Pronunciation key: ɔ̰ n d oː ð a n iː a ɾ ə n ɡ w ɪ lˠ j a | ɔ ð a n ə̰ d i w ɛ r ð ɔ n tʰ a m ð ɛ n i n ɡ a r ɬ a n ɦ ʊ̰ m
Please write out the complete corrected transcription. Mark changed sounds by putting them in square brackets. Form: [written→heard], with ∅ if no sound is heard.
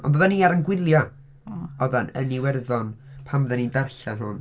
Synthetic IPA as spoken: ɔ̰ n d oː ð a n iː a ɾ ə n ɡ w ɪ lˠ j a | ɔ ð a n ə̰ [d→n] i w ɛ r ð ɔ n [tʰ→pʰ] a m ð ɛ n i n [ɡ→d] a r ɬ a n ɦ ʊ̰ [m→n]